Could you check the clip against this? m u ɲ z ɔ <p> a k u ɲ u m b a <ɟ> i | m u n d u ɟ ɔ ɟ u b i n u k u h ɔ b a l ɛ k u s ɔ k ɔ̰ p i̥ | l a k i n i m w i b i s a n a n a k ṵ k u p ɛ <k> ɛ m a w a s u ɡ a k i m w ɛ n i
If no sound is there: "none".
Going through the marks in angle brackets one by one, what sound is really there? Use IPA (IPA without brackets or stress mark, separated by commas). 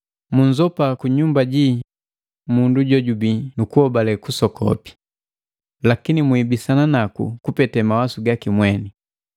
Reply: p, ɟ, t